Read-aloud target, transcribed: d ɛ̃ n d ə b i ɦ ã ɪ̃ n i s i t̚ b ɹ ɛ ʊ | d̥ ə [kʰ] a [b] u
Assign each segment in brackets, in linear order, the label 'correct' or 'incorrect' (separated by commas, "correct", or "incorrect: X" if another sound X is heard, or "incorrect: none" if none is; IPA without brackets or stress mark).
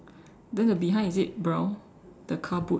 correct, correct